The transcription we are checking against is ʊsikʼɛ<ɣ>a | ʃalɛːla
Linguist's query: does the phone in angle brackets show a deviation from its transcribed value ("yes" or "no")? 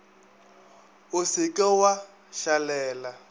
yes